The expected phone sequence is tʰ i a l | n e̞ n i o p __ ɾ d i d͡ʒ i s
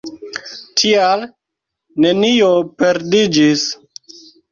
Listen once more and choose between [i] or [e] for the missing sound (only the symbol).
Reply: e